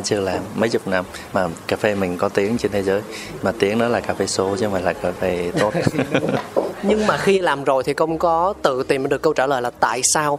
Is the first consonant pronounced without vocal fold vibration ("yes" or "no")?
yes